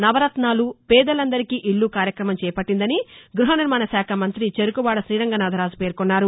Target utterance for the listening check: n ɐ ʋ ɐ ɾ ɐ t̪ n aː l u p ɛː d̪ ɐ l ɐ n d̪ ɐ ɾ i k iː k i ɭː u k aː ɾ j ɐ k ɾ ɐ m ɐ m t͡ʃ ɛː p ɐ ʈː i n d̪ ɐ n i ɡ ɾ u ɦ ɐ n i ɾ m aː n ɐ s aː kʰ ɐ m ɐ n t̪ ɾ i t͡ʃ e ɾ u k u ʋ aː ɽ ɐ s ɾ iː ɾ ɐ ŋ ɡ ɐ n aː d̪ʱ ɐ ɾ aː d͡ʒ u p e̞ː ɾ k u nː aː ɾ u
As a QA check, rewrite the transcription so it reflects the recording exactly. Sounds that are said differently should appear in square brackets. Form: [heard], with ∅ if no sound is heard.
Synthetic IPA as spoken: n ɐ ʋ ɐ ɾ ɐ t̪ n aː l u p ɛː d̪ ɐ l ɐ n d̪ ɐ ɾ i k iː [ʔ] i ɭː u k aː ɾ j ɐ k ɾ ɐ m ɐ m t͡ʃ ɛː p ɐ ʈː i n d̪ ɐ n i ɡ ɾ u ɦ ɐ n i ɾ m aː n ɐ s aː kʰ ɐ m ɐ n t̪ ɾ i t͡ʃ e ɾ u k u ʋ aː ɽ ɐ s ɾ iː ɾ ɐ ŋ ɡ ɐ n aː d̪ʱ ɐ ɾ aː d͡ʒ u p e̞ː ɾ k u nː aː ɾ u